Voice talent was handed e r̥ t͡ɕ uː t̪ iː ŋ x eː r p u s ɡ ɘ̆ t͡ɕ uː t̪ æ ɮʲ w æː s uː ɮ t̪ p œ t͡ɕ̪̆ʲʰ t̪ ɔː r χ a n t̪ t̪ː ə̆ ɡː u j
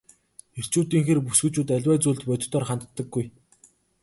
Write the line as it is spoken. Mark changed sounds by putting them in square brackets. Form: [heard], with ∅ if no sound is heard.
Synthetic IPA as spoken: e r̥ t͡ɕ uː t̪ iː ŋ x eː r p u s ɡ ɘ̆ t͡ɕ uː t̪ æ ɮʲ w æː [t͡s] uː ɮ t̪ p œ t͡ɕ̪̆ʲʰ t̪ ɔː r χ a n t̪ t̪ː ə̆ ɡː u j